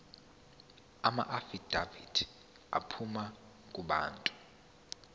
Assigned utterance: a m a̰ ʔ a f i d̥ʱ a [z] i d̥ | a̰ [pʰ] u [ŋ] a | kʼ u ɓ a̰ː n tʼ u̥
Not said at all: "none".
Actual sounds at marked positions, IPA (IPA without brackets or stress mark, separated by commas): v, pʰ, m